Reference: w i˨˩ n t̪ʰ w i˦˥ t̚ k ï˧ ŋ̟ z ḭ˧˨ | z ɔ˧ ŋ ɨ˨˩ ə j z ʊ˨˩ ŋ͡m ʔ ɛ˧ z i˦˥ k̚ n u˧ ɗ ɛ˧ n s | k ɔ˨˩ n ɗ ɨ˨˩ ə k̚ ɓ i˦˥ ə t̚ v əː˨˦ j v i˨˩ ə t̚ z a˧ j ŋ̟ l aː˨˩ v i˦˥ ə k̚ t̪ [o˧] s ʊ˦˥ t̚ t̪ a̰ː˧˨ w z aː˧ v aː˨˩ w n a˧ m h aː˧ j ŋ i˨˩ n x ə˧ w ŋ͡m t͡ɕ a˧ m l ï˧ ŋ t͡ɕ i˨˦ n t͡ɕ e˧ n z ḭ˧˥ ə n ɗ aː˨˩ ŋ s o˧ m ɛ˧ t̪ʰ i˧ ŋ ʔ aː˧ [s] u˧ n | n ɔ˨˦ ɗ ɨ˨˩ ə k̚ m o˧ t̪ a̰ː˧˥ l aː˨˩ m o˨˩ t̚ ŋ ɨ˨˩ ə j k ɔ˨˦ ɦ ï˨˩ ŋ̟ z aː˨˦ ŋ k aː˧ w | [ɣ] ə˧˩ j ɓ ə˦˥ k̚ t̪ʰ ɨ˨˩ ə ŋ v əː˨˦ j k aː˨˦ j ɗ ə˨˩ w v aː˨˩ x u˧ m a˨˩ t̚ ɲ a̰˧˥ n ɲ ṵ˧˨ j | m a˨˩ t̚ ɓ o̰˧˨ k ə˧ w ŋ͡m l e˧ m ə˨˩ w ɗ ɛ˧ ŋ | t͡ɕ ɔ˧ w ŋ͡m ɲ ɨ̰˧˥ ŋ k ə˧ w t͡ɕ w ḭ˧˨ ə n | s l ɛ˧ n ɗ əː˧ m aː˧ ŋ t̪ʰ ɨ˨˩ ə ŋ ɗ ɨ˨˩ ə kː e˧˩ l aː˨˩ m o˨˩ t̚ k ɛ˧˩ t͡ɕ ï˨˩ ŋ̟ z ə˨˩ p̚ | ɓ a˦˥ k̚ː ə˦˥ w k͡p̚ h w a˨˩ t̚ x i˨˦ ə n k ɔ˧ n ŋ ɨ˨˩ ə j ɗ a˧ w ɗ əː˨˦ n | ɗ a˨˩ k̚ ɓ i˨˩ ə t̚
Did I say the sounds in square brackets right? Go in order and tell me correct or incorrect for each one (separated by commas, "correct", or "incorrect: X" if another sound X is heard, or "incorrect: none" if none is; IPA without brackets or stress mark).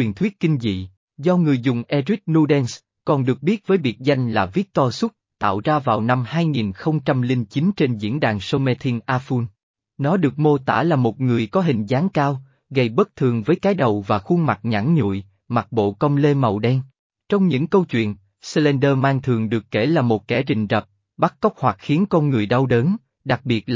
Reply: incorrect: ɔ˧, incorrect: f, correct